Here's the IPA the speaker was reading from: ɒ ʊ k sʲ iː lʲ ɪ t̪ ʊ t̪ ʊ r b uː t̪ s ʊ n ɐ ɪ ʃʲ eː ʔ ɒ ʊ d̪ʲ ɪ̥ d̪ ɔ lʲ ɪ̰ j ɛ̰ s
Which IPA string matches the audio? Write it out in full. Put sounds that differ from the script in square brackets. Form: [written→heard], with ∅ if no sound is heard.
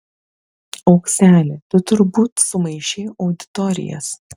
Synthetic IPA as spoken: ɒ ʊ k sʲ [iː→æː] lʲ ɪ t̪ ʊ t̪ ʊ [r→ɾ] b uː t̪ s ʊ [n→m] ɐ ɪ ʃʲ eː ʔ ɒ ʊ d̪ʲ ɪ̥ [d̪→t̪] ɔ [lʲ→ɾʲ] ɪ̰ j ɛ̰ s